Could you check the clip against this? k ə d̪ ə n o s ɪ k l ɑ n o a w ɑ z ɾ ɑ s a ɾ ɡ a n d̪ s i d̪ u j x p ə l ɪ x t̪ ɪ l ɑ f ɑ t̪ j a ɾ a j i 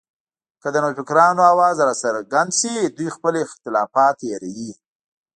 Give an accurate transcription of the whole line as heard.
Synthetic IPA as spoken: k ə d̪ ə n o f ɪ k ɾ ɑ n o a w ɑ z ɾ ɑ s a ɾ ɡ a n d̪ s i d̪ u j x p ə l ɪ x t̪ ɪ l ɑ f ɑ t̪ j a ɾ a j i